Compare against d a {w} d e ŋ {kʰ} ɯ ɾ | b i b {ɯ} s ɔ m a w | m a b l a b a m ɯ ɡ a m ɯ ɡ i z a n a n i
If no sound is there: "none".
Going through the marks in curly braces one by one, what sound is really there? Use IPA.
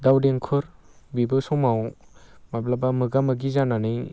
w, kʰ, ɯ

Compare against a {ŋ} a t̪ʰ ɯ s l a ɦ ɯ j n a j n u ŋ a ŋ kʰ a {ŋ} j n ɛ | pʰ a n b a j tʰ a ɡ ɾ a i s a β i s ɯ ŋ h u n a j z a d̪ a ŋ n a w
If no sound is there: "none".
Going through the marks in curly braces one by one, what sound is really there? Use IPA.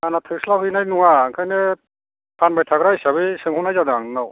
n, none

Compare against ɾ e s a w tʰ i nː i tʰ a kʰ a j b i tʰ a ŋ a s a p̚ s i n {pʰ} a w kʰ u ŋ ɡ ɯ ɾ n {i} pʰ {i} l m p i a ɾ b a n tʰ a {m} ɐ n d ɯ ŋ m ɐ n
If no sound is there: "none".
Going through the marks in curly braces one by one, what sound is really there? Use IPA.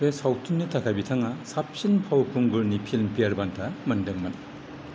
pʰ, i, i, m

